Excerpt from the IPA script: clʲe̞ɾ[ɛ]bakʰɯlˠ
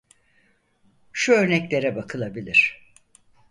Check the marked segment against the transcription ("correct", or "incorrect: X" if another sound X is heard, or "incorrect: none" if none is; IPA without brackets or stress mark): correct